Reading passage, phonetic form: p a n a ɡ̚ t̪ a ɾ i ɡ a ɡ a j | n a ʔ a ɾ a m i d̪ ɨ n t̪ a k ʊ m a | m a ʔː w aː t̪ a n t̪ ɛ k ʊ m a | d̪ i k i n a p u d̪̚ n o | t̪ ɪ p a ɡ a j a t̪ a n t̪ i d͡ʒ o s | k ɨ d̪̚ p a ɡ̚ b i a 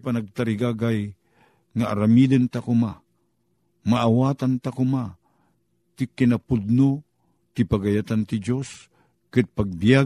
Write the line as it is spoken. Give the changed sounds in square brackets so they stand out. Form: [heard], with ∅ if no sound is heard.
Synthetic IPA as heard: p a n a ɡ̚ t̪ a ɾ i ɡ a ɡ a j | [ŋ] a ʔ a ɾ a m i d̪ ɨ n t̪ a k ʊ m a | m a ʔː w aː t̪ a n t̪ [a] k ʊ m a | [t̪] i k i n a p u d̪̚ n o | t̪ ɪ p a ɡ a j a t̪ a n t̪ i d͡ʒ o s | k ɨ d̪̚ p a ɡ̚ b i a